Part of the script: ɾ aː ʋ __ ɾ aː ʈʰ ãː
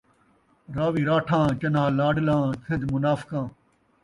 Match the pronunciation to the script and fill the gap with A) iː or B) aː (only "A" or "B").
A